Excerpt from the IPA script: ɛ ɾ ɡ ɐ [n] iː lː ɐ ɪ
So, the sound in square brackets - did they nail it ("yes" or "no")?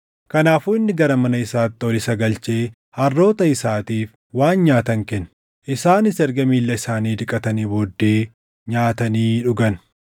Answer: no